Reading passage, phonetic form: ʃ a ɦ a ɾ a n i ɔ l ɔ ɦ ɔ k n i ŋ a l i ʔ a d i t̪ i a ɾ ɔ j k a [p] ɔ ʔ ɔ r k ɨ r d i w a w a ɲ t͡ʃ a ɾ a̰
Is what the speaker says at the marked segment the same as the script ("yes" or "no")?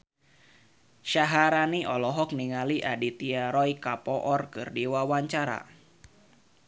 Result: yes